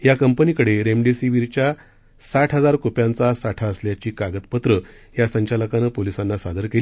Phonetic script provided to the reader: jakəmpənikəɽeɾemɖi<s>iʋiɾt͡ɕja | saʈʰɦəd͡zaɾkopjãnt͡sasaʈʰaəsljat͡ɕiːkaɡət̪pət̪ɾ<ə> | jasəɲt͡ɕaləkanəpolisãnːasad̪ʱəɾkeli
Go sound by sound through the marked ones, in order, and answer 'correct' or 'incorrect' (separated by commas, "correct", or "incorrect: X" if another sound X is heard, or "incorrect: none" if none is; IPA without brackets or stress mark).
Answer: correct, correct